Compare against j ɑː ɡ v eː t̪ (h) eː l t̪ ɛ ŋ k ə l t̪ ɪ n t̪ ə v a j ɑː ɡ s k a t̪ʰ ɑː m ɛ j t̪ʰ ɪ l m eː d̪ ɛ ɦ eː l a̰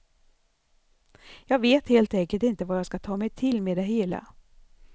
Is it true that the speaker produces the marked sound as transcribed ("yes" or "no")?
yes